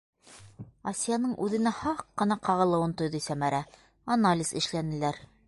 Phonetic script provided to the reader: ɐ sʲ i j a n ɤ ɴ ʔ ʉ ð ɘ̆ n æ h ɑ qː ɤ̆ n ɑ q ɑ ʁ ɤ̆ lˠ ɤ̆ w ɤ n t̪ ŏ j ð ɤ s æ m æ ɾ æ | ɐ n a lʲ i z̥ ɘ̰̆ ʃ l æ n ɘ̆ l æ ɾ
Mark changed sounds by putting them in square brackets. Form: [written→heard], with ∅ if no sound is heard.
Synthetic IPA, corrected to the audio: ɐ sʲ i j a n ɤ ɴ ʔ ʉ ð ɘ̆ n æ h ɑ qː ɤ̆ n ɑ q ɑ ʁ ɤ̆ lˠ ɤ̆ w ɤ n t̪ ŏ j ð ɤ s æ m æ ɾ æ | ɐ n a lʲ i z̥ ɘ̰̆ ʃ l æ n ɘ̆ l æ ɾ